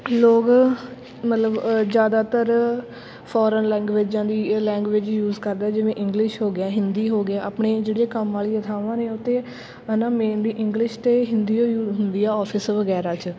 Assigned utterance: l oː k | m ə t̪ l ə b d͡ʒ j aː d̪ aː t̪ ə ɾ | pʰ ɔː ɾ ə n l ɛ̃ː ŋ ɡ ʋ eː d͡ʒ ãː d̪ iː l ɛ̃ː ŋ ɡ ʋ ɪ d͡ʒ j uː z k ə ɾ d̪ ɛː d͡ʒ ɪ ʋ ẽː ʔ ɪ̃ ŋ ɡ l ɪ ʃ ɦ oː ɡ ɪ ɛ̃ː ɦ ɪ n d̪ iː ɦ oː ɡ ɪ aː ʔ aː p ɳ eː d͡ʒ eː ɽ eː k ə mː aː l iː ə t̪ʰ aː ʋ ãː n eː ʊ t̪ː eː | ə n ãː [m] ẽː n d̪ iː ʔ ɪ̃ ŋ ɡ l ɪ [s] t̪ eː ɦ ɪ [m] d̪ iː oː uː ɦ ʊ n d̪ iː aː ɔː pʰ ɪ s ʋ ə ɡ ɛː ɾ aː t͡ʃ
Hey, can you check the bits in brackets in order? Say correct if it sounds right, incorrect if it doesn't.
correct, incorrect: ʃ, incorrect: n

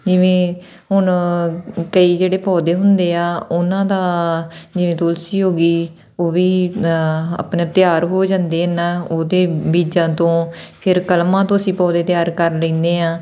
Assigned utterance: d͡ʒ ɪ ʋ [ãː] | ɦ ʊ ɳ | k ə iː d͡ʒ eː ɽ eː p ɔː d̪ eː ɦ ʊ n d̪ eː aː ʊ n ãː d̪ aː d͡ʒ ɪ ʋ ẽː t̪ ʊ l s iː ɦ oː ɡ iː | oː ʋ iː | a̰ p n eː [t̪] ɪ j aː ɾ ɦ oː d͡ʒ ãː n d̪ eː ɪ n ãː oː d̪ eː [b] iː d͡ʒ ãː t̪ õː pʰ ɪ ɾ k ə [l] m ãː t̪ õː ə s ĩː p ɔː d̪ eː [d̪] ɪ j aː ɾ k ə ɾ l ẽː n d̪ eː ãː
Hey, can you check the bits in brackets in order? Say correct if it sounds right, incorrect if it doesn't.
incorrect: ẽː, correct, correct, correct, incorrect: t̪

